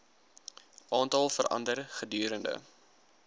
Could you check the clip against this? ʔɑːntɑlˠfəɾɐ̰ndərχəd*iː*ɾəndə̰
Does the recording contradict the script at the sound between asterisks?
yes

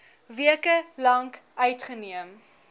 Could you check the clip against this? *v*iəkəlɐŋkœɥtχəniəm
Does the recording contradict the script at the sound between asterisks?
no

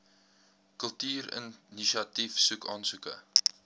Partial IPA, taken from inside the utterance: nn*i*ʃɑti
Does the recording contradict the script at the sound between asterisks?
no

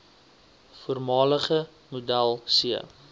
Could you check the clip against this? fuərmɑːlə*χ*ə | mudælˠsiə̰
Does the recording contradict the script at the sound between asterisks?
no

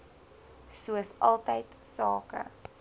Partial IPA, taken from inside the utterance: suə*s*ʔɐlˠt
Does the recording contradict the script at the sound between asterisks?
no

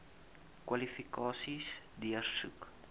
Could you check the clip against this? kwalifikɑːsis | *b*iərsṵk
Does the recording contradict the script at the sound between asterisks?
yes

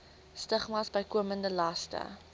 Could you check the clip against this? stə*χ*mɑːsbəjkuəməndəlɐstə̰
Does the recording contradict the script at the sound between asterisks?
no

